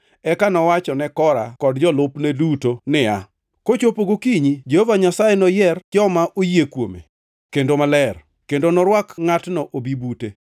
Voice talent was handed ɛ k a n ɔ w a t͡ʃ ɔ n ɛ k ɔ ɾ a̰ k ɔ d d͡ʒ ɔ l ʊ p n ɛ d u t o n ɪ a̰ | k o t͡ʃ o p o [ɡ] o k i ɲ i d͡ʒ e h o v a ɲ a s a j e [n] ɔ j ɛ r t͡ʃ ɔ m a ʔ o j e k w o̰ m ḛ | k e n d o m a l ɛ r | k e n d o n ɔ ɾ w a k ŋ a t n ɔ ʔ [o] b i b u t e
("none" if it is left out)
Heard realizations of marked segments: ɡ, n, o

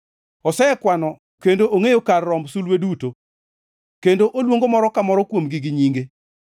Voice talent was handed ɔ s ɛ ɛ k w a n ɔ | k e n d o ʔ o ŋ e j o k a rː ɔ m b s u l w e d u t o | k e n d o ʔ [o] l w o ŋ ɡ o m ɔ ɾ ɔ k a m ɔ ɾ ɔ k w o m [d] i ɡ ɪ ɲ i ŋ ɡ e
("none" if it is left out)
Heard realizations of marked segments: o, ɡ

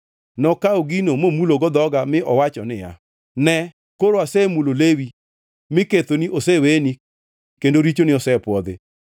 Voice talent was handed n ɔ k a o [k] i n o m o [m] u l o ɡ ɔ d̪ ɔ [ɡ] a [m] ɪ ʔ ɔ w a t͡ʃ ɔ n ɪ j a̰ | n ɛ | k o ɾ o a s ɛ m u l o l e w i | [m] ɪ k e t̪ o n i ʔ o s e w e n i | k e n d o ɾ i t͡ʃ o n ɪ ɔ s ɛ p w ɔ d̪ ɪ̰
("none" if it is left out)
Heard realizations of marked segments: ɡ, m, ɡ, m, m

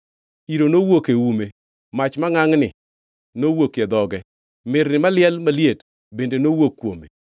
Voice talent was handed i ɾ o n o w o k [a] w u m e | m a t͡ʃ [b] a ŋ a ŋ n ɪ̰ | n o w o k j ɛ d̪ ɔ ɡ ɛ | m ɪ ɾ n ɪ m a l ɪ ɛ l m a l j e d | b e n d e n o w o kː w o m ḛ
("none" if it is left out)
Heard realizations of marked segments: e, m

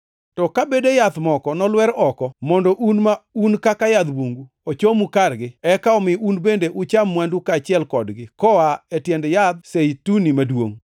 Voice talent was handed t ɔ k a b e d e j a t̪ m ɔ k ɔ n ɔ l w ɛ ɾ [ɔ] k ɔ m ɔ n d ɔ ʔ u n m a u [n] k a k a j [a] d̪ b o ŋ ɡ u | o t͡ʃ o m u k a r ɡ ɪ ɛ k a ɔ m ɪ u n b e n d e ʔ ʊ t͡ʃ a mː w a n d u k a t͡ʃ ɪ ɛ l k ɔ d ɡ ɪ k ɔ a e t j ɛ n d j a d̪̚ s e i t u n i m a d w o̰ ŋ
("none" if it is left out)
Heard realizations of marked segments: ɔ, n, a

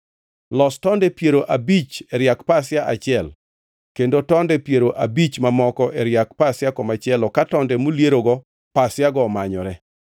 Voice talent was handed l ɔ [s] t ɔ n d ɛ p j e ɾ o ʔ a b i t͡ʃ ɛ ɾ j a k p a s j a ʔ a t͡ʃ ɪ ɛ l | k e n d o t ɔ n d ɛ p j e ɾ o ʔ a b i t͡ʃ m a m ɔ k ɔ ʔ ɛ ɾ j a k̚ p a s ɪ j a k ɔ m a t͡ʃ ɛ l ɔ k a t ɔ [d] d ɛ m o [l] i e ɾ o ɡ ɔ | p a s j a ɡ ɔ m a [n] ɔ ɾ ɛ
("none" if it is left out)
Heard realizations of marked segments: s, n, l, ɲ

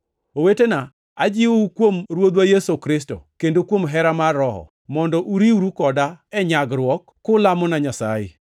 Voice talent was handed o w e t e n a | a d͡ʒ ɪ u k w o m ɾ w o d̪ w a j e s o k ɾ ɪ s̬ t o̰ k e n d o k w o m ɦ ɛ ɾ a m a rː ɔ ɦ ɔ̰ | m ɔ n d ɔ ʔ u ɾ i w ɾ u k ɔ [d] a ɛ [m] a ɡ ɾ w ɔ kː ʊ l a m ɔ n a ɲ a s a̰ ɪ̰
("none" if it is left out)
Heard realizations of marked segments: d, ɲ

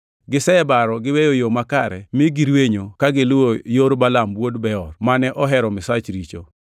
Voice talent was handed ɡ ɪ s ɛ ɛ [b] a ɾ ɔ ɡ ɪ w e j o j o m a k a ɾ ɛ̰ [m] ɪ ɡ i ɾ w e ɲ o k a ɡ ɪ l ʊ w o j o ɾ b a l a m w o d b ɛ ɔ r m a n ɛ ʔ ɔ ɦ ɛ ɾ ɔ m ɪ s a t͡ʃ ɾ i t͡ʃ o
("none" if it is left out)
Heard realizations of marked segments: b, m

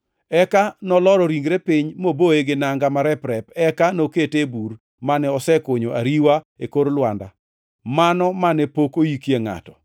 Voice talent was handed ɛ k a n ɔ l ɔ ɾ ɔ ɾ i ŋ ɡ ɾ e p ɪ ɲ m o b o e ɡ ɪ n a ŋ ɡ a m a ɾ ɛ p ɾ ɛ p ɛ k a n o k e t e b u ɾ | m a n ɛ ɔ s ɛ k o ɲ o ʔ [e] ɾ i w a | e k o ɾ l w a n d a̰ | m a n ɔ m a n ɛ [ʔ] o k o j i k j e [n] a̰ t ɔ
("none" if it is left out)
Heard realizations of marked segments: a, p, ŋ

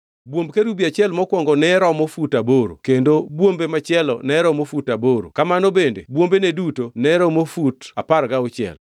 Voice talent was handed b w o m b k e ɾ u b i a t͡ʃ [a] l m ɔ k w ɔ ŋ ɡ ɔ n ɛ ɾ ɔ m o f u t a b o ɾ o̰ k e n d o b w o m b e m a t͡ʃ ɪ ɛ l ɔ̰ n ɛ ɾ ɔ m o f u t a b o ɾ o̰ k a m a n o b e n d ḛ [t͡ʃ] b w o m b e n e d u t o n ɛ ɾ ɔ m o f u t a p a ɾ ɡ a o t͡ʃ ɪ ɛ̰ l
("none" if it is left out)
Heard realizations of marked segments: ɛ, none

